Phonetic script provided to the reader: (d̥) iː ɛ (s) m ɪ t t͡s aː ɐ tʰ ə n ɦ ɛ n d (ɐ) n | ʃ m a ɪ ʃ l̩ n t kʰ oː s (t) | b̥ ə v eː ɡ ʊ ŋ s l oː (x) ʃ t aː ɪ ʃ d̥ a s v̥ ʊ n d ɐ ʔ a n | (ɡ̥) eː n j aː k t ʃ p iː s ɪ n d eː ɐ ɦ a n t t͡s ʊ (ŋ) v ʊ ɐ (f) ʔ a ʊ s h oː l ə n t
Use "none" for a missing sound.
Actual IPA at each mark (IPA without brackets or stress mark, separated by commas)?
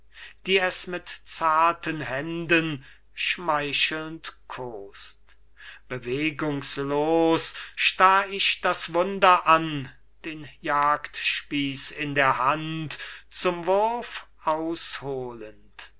d̥, s, ə, t, s, d̥, m, f